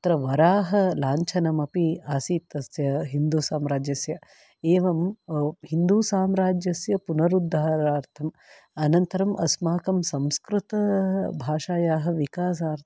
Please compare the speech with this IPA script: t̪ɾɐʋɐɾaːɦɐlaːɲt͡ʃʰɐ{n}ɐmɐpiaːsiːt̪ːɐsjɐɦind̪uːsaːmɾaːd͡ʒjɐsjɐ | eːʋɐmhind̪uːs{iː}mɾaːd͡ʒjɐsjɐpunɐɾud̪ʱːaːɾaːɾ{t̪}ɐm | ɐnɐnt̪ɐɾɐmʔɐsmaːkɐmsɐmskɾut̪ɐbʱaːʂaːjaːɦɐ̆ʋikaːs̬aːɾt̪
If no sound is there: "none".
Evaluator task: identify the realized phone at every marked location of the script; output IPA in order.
n, aː, t̪ʰ

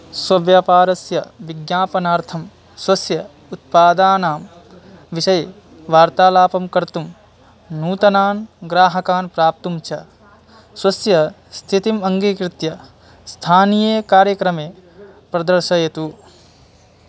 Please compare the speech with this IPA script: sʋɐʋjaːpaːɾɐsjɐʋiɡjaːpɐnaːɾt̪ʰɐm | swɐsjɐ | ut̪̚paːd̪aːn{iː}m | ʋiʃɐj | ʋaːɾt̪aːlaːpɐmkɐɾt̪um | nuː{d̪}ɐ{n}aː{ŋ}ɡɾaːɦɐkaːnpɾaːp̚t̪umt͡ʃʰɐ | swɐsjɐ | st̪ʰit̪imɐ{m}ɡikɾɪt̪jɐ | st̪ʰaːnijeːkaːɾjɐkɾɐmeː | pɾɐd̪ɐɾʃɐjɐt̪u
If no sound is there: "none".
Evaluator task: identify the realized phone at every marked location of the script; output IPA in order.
aː, t̪, n, n, ŋ

